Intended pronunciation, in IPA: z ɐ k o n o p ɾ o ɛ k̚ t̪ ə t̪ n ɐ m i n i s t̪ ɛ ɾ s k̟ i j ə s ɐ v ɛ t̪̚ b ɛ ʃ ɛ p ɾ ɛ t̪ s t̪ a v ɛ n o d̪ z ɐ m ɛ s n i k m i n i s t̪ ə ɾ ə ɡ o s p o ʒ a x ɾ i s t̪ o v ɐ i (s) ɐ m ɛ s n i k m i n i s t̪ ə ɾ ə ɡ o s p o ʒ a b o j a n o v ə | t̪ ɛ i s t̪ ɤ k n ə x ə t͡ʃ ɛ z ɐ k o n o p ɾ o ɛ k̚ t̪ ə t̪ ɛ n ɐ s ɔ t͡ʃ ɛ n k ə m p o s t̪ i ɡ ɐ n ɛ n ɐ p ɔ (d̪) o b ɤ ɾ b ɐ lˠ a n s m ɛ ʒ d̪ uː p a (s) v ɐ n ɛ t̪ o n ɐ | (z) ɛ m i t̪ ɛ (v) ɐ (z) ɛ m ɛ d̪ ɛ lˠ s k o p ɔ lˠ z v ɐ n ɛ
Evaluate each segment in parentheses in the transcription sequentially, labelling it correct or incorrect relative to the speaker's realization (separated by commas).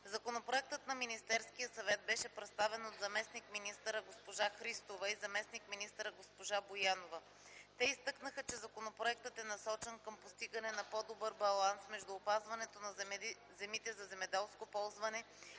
incorrect, correct, incorrect, correct, incorrect, correct